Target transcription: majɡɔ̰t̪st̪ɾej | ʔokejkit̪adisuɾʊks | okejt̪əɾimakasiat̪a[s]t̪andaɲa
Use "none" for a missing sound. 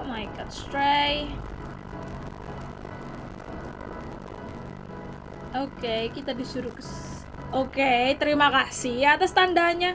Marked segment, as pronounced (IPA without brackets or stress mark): s